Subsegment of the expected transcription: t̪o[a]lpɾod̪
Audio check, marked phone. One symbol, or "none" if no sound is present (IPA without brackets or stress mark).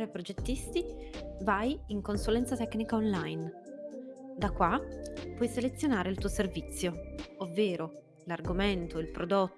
i